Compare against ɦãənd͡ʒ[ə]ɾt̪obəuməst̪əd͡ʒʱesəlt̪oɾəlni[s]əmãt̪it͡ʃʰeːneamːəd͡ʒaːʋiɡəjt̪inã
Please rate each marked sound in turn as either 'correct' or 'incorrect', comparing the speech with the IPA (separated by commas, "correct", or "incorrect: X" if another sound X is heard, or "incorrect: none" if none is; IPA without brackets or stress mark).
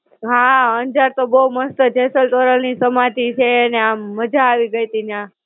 incorrect: a, correct